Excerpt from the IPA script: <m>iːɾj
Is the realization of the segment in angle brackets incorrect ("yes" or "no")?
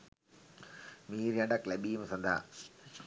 no